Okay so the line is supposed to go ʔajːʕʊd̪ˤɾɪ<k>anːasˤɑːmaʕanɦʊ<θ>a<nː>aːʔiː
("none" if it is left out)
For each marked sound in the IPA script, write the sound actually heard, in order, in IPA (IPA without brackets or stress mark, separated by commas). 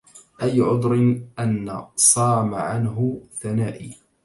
ʔ, θ, n